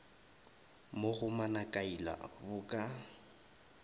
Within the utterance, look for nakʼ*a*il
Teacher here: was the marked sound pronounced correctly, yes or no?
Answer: yes